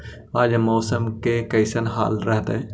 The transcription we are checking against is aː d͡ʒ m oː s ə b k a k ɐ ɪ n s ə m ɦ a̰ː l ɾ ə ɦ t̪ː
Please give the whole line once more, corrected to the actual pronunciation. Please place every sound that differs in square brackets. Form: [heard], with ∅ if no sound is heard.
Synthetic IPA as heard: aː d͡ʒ m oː s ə [m] k [e] k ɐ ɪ [∅] s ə [n] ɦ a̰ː l ɾ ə ɦ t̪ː